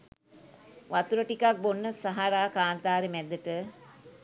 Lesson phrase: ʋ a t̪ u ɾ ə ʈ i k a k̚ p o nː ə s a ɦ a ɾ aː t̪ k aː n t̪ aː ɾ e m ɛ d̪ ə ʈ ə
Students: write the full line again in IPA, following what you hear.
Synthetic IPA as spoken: ʋ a t̪ u ɾ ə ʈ i k a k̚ b o nː ə s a ɦ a ɾ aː k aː n t̪ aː ɾ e m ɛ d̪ ə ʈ ə